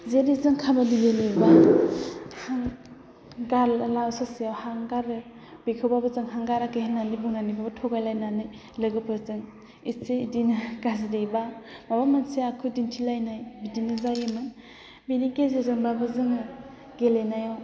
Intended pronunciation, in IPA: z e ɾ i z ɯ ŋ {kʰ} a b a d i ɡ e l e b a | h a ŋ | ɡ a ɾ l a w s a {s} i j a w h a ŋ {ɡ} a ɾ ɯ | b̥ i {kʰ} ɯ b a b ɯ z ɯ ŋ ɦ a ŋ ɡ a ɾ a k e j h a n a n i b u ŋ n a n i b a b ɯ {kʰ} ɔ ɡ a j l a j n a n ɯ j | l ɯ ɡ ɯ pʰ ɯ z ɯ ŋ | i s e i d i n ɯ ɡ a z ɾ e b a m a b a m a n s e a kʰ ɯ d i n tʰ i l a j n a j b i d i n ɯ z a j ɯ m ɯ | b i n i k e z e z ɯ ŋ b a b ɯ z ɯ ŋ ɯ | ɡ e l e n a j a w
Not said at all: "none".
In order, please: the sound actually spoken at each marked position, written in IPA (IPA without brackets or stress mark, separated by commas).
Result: kʰ, s, ɡ, kʰ, tʰ